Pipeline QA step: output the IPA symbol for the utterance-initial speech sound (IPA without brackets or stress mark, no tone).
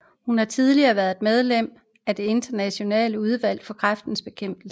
h